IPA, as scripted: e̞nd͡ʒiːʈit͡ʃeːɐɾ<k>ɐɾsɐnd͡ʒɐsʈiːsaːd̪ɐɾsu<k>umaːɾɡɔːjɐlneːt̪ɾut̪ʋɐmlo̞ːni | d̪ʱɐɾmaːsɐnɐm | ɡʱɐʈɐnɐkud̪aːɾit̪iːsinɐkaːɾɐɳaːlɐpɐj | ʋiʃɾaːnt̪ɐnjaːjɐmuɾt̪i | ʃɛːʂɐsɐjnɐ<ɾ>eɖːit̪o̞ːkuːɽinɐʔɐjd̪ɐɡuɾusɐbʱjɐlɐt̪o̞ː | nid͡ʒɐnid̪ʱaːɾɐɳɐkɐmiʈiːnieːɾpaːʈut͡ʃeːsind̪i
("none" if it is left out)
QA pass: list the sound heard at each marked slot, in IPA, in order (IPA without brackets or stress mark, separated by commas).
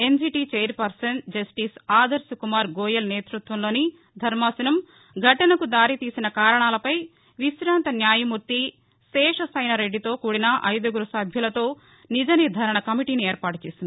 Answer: p, k, ɾ